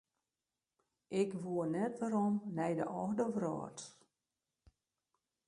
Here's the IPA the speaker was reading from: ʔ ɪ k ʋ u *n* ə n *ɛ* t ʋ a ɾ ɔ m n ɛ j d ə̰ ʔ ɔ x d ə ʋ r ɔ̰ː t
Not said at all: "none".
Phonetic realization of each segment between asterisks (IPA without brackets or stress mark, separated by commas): none, ɛ